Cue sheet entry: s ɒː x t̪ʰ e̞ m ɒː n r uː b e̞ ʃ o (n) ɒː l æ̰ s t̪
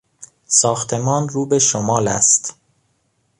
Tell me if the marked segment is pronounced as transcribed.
no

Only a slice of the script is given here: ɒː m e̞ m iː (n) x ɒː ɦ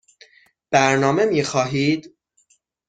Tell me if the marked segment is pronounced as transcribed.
no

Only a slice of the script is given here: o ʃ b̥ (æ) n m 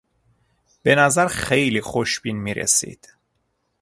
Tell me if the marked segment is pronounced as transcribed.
no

